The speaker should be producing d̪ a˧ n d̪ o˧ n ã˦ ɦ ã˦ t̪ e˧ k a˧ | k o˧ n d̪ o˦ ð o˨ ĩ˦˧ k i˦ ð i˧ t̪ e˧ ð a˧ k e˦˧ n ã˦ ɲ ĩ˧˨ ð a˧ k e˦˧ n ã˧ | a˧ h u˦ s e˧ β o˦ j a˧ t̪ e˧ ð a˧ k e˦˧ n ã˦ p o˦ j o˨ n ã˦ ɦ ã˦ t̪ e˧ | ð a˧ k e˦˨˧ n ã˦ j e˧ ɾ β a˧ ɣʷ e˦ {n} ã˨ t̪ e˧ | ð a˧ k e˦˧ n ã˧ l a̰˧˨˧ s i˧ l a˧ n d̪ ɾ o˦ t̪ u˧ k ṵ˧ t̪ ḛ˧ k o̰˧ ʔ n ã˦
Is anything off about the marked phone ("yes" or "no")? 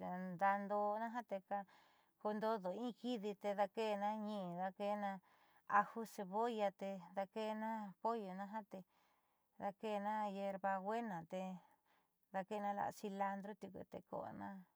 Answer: no